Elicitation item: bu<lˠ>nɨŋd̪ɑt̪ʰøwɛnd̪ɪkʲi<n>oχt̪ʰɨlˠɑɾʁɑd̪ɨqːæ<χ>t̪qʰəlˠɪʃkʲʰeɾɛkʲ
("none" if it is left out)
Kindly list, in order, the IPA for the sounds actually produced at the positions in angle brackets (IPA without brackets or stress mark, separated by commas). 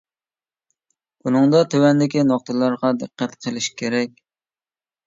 none, n, none